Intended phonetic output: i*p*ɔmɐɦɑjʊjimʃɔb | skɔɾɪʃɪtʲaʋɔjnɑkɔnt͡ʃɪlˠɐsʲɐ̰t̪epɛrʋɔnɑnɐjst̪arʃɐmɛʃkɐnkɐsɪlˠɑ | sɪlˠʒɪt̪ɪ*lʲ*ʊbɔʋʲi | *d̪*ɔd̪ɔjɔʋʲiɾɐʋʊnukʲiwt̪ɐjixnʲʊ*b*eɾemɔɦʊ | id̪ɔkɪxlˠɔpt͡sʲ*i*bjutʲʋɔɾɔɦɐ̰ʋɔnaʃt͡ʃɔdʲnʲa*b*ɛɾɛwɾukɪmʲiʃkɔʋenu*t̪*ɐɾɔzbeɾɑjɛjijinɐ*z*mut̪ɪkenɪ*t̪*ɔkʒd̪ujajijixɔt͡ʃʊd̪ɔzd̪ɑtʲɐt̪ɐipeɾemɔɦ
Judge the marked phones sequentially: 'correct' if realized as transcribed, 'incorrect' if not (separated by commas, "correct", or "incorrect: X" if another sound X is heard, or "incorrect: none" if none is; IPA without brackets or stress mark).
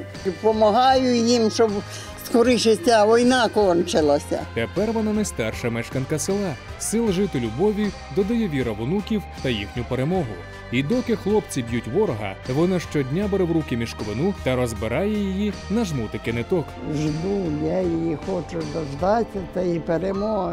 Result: correct, correct, correct, incorrect: p, correct, correct, correct, incorrect: ʒ, correct